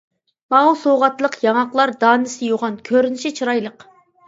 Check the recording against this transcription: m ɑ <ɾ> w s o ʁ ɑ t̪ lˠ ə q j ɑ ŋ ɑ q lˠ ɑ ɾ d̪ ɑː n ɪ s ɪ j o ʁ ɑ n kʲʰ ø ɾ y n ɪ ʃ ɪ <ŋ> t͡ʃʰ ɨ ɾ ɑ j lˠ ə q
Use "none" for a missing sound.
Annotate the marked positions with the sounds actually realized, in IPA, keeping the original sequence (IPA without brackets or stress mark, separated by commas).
none, none